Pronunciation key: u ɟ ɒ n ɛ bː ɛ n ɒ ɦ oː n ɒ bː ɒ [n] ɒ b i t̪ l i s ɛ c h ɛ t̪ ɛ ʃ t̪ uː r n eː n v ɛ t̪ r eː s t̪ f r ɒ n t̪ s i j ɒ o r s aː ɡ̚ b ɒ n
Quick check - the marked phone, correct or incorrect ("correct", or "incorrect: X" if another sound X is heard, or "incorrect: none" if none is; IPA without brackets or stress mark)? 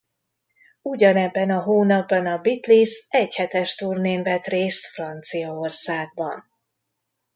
correct